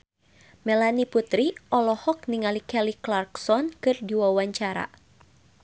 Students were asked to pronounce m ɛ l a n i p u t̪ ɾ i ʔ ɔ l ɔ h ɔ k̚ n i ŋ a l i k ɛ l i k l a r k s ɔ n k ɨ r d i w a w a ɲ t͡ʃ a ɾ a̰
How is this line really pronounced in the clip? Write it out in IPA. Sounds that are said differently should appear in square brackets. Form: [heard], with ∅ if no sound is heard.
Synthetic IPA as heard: m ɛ l a n i p u t̪ ɾ i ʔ ɔ l ɔ h ɔ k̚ n i ŋ a l i k ɛ l i k l a r k s ɔ n k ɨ r d i w a w a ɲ t͡ʃ a ɾ a̰